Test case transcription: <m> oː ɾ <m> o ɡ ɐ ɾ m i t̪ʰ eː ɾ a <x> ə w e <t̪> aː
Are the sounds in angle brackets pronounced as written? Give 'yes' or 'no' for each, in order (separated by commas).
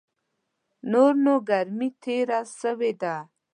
no, no, no, no